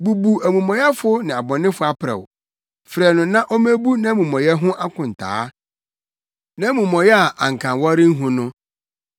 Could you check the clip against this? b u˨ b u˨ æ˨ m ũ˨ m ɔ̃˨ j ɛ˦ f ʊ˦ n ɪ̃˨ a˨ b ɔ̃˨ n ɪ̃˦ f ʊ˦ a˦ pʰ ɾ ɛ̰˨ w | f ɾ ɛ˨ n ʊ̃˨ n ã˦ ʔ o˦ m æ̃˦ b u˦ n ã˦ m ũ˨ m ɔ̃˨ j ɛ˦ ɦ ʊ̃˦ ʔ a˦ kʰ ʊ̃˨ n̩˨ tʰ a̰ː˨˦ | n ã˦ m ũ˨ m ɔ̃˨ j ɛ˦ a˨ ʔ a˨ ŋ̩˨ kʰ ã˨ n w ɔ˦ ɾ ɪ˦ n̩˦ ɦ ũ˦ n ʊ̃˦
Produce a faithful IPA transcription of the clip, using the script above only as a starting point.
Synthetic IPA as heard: b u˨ b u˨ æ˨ m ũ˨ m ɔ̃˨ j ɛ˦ f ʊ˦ n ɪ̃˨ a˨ b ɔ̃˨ n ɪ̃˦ f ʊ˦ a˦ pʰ ɾ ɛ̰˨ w | f ɾ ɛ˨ n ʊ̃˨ n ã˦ ʔ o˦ m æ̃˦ b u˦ n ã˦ m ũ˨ m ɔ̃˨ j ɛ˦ ɦ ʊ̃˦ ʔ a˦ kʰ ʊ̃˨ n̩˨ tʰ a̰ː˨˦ | n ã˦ m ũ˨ m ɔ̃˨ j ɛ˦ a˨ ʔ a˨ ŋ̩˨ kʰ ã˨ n w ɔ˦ ɾ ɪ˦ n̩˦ ɦ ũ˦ n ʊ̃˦